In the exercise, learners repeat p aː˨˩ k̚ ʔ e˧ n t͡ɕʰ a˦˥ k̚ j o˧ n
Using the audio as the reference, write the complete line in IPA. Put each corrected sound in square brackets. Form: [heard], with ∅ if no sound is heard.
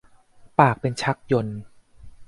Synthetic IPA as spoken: p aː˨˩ k̚ [p] e˧ n t͡ɕʰ a˦˥ k̚ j o˧ n